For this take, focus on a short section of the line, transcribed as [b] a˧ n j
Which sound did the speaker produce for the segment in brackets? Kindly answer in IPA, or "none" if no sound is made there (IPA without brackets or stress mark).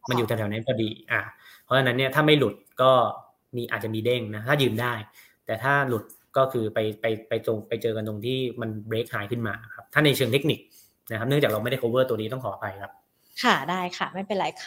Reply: m